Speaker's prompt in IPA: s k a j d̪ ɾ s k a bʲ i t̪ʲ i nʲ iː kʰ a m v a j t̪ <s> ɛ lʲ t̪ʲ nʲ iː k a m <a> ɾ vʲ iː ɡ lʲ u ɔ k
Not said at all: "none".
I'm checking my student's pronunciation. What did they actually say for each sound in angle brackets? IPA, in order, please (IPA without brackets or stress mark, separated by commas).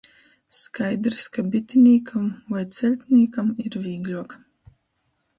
s, i